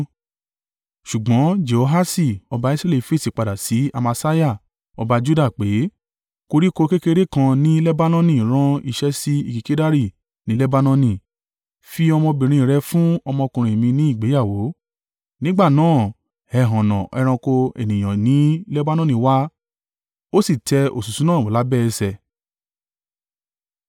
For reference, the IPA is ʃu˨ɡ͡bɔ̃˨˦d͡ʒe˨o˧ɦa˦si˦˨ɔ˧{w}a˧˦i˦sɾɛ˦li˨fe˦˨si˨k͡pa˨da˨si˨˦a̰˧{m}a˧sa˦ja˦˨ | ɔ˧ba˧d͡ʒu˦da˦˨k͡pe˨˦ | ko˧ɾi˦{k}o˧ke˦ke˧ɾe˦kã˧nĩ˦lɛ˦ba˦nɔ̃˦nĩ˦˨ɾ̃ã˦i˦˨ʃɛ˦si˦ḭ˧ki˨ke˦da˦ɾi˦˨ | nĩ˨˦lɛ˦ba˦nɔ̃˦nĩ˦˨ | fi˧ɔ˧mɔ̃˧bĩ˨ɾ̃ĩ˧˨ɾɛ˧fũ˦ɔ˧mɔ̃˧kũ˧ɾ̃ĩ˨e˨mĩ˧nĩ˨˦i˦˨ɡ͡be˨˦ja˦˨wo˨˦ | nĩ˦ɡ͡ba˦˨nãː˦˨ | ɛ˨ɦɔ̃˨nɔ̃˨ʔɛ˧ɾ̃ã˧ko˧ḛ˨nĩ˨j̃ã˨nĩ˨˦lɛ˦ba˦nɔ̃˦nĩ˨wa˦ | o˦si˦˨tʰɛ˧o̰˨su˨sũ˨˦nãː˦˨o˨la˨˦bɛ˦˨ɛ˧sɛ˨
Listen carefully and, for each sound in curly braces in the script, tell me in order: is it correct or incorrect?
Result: incorrect: b, correct, correct

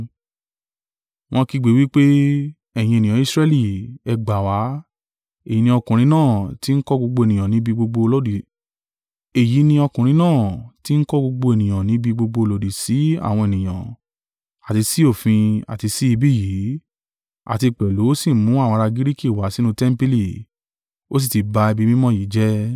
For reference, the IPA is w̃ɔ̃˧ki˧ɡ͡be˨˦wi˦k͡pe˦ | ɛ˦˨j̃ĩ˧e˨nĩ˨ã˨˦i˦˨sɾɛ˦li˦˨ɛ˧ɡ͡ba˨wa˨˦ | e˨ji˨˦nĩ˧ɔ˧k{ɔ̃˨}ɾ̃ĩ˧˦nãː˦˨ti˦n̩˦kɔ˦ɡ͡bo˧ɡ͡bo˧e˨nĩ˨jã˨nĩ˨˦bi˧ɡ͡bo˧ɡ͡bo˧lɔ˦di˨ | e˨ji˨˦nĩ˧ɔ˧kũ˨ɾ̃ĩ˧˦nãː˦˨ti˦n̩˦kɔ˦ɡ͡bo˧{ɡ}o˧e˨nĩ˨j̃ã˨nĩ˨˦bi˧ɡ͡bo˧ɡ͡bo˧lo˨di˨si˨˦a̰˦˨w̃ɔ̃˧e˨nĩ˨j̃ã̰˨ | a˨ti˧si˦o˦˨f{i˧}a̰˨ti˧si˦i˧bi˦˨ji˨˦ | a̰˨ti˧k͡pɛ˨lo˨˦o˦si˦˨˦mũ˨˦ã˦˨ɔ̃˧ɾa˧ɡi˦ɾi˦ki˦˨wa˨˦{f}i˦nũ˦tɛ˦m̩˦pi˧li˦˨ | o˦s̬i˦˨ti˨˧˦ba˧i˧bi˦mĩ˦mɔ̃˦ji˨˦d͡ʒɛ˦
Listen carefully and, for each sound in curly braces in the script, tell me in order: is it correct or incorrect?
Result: incorrect: ũ˨, incorrect: ɡ͡b, incorrect: ĩ˧, incorrect: s

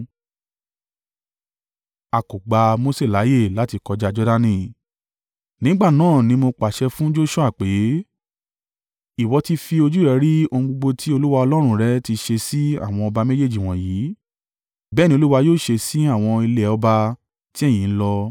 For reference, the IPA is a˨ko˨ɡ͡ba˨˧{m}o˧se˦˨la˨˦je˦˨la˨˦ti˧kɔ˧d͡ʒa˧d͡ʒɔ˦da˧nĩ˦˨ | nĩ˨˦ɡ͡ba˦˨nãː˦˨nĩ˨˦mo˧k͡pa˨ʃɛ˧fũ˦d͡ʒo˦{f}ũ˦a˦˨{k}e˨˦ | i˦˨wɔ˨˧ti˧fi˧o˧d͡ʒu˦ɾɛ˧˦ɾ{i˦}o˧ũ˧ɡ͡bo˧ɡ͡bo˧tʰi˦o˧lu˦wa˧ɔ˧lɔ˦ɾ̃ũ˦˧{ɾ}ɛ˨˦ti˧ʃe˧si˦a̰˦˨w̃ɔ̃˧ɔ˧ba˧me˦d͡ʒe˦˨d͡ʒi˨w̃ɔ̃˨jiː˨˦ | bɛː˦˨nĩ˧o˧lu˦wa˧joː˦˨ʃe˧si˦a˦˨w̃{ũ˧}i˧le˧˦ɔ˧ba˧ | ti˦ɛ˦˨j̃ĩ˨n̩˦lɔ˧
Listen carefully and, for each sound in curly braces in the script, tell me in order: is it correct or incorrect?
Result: correct, incorrect: ʃ, incorrect: k͡p, correct, correct, incorrect: ɔ̃˧

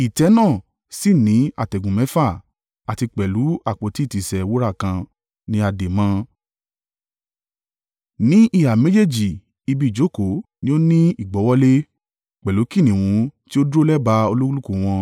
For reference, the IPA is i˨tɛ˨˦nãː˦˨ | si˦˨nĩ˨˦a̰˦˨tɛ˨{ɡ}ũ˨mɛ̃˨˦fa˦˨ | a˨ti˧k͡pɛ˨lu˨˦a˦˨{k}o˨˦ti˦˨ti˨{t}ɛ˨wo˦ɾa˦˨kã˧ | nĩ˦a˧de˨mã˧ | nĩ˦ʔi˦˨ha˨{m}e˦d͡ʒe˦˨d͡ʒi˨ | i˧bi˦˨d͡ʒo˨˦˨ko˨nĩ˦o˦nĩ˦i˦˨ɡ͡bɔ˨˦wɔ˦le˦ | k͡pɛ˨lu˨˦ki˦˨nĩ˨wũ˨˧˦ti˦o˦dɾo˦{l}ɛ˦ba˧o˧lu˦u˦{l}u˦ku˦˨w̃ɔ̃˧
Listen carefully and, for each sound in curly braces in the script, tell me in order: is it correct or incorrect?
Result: correct, incorrect: k͡p, incorrect: s, correct, correct, correct

